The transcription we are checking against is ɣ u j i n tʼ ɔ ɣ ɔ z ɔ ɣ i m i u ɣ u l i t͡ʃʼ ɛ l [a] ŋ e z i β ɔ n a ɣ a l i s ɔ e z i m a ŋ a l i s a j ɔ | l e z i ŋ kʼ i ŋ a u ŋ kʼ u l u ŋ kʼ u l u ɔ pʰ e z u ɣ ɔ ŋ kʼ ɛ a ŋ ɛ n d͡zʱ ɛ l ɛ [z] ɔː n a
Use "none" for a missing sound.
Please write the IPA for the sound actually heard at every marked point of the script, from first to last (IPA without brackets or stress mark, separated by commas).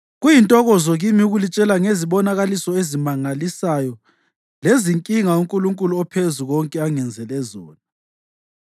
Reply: a, z